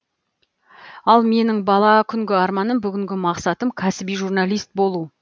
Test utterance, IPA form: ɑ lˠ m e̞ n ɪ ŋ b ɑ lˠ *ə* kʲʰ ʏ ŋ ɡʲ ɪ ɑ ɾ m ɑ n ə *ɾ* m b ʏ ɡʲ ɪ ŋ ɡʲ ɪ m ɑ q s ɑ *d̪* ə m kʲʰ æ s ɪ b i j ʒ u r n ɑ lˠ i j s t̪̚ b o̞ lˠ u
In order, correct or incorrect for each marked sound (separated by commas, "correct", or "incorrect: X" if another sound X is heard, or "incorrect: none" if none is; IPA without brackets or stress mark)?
incorrect: ɑ, incorrect: none, incorrect: t̪